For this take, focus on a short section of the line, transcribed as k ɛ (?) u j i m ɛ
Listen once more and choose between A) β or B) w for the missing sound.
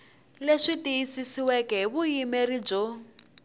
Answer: A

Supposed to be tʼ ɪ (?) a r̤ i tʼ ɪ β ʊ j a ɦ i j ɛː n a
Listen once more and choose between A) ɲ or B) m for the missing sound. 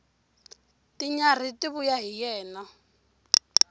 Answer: A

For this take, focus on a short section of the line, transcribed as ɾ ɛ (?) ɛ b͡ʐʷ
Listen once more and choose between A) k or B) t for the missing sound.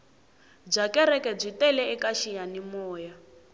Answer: A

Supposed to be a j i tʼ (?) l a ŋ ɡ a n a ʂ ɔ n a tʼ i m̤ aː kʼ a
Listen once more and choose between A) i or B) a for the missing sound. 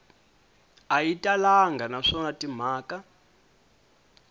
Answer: B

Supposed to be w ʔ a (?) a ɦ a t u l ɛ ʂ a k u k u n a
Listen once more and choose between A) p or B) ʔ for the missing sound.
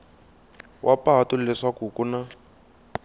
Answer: A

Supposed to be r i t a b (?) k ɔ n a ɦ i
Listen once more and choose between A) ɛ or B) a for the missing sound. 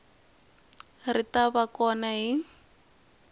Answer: B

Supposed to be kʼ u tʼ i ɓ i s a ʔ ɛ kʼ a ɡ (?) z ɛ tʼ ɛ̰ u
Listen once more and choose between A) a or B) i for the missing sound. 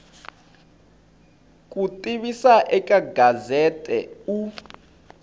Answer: A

